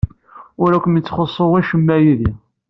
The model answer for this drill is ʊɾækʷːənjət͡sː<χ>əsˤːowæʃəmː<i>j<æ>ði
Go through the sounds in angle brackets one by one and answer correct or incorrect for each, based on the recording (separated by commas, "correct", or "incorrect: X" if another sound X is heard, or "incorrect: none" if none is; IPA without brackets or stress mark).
correct, incorrect: æ, incorrect: i